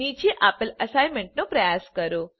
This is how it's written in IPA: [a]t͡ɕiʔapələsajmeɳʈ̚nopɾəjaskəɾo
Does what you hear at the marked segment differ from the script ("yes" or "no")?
yes